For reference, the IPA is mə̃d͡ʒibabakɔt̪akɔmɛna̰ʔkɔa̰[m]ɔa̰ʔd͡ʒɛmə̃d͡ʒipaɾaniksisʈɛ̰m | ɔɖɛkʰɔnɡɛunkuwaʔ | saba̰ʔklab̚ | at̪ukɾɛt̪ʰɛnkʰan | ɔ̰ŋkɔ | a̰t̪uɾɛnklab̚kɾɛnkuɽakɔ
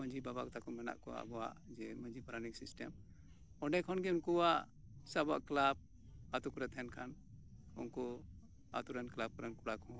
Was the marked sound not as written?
yes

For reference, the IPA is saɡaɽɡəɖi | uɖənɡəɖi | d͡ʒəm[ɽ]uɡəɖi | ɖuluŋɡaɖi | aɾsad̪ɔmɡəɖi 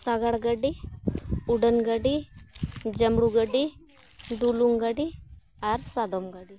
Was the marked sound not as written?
no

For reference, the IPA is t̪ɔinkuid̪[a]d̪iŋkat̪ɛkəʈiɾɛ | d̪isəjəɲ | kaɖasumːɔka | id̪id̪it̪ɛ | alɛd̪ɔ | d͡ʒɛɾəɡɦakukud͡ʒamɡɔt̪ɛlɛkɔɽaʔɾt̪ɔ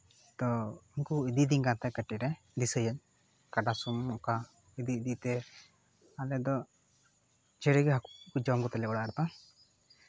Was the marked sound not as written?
yes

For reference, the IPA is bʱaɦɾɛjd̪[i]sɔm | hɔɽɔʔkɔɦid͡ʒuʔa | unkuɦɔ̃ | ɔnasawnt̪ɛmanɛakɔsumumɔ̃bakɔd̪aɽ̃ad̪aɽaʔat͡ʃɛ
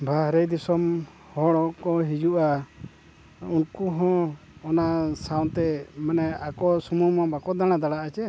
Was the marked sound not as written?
no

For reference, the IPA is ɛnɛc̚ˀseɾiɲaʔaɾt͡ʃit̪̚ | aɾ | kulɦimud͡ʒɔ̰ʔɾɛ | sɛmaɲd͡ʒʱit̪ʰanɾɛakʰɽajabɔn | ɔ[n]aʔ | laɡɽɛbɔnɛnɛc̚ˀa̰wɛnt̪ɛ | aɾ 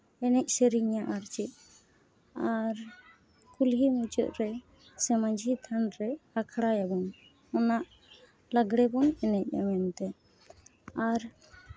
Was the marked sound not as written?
no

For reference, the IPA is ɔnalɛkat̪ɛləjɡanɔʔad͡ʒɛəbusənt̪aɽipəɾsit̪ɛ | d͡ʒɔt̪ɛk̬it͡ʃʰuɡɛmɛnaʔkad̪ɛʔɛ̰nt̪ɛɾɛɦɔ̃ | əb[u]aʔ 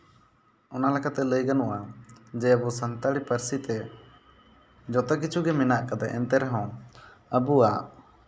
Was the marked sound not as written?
no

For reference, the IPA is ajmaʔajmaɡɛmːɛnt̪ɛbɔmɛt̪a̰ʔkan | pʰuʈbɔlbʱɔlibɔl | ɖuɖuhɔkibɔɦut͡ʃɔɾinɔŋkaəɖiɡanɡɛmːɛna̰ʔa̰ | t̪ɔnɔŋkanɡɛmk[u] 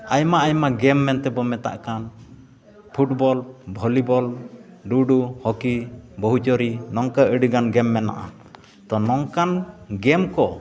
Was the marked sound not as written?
yes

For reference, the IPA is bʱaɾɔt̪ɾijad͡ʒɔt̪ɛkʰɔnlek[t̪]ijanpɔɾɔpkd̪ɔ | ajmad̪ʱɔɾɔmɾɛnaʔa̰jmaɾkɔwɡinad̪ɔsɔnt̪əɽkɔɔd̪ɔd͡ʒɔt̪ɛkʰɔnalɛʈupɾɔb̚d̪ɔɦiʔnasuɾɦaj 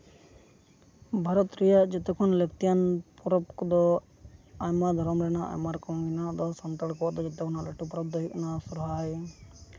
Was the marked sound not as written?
no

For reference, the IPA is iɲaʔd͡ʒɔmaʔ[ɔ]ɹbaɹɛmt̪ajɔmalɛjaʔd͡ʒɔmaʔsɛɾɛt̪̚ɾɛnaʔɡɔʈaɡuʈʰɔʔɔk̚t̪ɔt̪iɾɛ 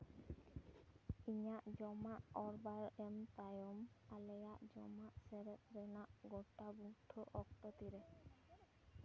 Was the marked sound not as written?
no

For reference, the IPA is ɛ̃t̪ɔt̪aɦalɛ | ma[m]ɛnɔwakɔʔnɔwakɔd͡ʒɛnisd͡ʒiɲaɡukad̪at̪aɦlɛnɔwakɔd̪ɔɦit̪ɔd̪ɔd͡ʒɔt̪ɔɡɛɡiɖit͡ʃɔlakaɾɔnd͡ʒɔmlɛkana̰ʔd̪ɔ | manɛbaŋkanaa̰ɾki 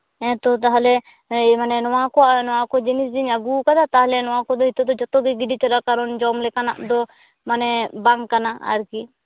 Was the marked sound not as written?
yes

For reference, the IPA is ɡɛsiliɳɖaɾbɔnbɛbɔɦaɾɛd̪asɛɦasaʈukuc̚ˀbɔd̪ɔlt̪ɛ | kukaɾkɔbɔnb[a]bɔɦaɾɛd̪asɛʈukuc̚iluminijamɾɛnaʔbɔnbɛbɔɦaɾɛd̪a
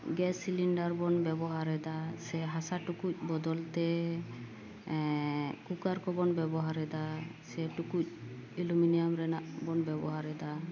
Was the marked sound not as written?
yes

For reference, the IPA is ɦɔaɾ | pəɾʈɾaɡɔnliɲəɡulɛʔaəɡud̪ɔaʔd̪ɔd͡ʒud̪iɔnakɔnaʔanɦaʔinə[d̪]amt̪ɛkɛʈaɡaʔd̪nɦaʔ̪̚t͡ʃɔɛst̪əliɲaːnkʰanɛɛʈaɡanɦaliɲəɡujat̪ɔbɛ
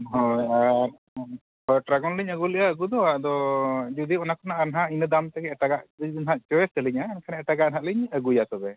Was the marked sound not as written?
no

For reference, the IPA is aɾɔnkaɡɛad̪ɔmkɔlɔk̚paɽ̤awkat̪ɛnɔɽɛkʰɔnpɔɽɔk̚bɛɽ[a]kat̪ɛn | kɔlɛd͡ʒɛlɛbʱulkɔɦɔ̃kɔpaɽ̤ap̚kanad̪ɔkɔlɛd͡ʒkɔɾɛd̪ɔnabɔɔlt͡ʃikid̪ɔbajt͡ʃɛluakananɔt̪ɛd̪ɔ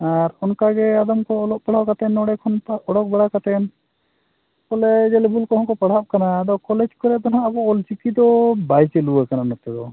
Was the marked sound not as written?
no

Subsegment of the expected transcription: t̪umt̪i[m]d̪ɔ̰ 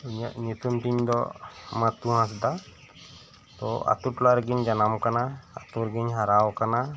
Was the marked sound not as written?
yes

